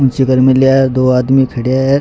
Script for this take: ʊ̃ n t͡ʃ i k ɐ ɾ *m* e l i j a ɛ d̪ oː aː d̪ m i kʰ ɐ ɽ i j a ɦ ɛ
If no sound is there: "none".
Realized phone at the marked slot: m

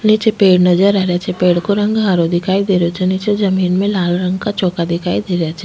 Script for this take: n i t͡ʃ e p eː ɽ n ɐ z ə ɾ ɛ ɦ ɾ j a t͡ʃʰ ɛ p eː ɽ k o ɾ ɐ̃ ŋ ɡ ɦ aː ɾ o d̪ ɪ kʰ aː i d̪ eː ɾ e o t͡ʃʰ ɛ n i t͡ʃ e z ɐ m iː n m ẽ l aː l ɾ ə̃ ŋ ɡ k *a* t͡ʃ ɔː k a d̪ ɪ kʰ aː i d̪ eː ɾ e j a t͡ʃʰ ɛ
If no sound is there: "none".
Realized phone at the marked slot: a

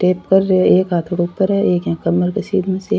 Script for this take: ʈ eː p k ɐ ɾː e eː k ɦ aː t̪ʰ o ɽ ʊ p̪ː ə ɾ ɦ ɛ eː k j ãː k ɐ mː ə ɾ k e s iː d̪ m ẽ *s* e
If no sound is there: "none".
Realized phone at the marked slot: s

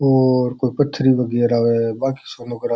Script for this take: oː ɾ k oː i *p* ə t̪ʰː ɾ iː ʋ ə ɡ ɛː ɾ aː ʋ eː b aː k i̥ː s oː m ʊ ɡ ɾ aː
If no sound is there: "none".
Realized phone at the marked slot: p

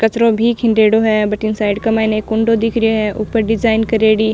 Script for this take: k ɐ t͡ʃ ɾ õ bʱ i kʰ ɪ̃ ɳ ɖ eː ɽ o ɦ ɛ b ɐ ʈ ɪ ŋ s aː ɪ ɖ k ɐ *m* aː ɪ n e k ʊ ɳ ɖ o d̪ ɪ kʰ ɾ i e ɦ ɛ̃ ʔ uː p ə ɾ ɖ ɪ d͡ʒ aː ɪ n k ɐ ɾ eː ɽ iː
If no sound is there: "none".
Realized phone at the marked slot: m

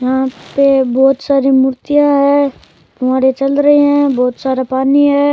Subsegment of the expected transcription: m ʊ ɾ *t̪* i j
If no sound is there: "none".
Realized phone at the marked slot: t̪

